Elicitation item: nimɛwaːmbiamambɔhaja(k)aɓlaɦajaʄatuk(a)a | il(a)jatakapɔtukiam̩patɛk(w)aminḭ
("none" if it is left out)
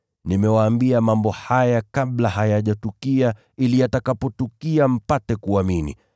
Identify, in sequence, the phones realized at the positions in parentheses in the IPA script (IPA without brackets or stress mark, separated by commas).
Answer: k, i, i, u